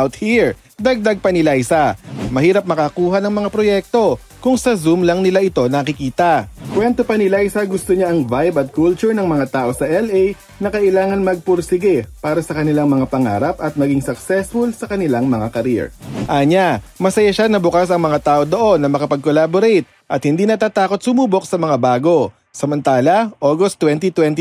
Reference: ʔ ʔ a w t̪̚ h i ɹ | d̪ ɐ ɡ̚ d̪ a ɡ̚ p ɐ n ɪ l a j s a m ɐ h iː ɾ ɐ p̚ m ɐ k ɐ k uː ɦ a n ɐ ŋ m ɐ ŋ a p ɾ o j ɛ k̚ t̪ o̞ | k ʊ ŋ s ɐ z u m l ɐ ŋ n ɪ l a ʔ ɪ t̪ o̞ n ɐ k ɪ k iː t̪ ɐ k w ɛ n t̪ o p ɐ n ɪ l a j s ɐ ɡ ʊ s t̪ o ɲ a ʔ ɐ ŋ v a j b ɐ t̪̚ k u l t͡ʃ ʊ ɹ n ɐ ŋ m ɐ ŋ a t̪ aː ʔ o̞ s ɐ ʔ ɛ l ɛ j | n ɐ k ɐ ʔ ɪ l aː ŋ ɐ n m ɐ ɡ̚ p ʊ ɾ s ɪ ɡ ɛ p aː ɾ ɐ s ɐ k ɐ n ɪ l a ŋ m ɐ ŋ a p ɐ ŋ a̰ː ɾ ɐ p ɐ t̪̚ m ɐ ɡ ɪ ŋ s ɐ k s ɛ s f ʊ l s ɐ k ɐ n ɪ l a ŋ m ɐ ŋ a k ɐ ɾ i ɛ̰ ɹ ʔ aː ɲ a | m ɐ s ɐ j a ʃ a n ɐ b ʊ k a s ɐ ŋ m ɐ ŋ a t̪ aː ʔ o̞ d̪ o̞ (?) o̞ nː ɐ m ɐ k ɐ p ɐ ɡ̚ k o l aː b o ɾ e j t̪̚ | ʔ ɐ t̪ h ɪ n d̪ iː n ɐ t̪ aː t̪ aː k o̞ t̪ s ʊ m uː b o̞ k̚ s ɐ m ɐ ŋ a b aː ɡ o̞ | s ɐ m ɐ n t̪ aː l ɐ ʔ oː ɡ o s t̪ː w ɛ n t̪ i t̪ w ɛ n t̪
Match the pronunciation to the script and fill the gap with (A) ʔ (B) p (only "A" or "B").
A